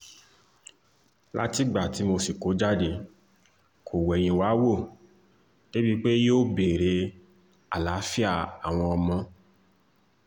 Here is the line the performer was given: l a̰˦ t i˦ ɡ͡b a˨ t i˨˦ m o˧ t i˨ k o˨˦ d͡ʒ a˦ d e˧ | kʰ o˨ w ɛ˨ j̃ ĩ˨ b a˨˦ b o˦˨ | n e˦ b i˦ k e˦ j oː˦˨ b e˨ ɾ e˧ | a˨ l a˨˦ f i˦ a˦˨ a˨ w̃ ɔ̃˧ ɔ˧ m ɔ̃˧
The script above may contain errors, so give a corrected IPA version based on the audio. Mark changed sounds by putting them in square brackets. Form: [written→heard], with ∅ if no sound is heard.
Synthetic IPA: l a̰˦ t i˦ ɡ͡b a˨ t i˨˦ m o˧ [t→s] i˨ k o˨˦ d͡ʒ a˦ d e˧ | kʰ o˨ w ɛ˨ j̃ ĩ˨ [b→w] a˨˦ [b→w] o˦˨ | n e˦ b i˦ [k→k͡p] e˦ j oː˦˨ b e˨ ɾ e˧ | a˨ l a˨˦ f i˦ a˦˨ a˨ w̃ ɔ̃˧ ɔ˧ m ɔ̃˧

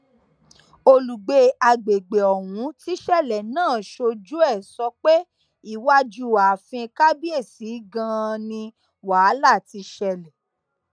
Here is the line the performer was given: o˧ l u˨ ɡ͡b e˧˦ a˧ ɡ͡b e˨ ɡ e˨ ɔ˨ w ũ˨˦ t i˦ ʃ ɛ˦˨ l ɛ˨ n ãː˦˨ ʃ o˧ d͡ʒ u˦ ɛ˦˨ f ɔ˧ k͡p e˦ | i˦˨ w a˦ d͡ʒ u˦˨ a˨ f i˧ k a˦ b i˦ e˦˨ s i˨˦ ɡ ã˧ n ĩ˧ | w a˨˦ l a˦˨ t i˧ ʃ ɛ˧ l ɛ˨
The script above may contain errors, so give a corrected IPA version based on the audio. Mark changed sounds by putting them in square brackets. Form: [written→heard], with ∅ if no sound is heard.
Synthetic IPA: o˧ l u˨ ɡ͡b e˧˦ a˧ ɡ͡b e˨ [ɡ→ɡ͡b] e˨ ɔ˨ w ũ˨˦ t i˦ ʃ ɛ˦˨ l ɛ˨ n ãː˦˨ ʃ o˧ d͡ʒ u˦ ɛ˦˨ [f→s] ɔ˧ k͡p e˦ | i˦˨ w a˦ d͡ʒ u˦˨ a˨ f [i˧→ĩ˧] k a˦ b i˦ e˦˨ s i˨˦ ɡ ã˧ n ĩ˧ | w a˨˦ l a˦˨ t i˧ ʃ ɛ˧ l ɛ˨

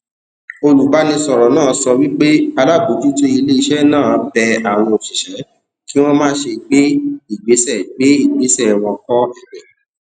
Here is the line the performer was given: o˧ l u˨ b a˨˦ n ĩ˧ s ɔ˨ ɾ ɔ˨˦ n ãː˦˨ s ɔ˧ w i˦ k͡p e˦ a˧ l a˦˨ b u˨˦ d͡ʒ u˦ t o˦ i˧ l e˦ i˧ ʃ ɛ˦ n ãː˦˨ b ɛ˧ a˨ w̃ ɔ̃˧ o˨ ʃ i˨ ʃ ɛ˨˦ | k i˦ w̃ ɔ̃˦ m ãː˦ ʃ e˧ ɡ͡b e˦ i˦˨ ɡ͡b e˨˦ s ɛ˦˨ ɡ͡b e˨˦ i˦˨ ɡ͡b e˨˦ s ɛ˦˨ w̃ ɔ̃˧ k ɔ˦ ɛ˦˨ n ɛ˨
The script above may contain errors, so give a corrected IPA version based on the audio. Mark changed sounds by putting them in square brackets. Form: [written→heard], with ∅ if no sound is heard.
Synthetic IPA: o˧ l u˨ b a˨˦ n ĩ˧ s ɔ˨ ɾ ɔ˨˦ n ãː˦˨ s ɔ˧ w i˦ k͡p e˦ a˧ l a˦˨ b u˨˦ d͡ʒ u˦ t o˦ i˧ l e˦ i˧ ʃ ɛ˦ n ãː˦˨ b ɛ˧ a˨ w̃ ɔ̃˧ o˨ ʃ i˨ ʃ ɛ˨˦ | k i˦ w̃ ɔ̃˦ m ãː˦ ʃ e˧ ɡ͡b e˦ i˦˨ ɡ͡b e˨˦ s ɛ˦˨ ɡ͡b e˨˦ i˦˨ ɡ͡b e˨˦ s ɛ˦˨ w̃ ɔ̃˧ k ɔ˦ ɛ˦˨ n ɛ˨

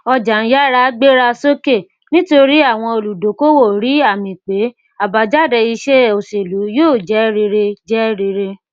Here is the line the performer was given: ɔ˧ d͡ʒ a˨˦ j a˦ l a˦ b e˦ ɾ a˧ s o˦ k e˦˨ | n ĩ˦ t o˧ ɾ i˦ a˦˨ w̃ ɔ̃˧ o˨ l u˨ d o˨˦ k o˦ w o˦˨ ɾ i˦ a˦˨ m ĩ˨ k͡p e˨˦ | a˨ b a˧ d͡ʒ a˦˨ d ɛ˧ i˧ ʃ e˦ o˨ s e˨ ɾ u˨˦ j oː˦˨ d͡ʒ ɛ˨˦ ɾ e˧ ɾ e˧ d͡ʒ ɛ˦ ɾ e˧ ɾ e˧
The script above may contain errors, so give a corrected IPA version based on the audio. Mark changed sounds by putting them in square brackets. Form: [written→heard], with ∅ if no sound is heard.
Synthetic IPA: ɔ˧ d͡ʒ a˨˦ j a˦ [l→ɾ] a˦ [b→ɡ͡b] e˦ ɾ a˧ s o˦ k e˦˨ | n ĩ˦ t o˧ ɾ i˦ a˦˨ w̃ ɔ̃˧ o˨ l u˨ d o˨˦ k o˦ w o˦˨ ɾ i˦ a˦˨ m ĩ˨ k͡p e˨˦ | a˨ b a˧ d͡ʒ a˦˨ d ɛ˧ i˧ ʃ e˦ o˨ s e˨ [ɾ→l] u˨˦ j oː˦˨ d͡ʒ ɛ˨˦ ɾ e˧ ɾ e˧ d͡ʒ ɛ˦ ɾ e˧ ɾ e˧

